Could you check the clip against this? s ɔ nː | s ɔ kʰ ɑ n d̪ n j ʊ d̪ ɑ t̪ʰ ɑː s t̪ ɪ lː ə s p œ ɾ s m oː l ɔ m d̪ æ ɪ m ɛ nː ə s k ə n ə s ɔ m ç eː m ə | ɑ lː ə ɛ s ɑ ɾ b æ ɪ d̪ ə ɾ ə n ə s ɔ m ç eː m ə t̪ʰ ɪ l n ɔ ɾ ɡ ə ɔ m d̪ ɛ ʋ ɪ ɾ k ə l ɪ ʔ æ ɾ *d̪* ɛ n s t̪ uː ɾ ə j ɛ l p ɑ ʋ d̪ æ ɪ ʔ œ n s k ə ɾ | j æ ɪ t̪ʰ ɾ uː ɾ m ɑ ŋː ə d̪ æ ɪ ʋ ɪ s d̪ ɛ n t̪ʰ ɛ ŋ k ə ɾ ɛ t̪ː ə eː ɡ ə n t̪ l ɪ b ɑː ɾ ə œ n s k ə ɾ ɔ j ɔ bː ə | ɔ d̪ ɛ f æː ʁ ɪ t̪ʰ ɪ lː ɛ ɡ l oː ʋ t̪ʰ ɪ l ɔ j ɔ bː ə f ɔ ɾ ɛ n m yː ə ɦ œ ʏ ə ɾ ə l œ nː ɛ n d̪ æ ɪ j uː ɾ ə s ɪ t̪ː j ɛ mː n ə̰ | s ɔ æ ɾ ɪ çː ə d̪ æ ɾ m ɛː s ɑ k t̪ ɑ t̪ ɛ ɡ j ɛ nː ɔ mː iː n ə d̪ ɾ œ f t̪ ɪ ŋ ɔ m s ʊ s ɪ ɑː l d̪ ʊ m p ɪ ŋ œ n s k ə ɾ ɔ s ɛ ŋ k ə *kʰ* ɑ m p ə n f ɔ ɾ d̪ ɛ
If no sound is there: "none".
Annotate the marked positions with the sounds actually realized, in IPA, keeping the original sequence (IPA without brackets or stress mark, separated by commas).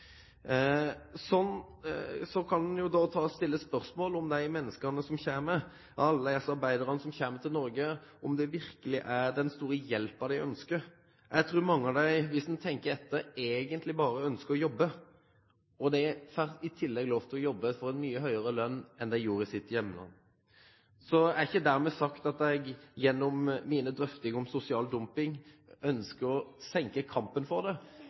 d̪, kʰ